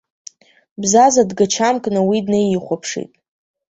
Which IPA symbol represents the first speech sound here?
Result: b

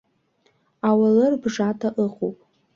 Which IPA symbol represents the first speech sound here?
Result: a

